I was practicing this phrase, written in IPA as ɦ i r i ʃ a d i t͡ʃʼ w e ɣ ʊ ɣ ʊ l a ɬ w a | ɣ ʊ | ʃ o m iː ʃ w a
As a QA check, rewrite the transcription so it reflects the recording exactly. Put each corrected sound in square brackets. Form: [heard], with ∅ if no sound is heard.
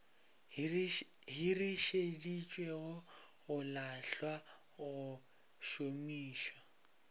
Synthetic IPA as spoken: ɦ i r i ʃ [e] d i t͡ʃʼ w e ɣ ʊ ɣ ʊ l a ɬ w a | ɣ ʊ | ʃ o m iː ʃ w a